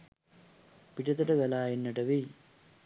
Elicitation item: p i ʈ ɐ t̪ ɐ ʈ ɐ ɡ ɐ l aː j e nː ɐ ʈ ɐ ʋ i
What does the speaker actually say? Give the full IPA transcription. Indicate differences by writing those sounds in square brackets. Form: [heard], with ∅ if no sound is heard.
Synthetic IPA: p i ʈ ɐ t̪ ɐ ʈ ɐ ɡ ɐ l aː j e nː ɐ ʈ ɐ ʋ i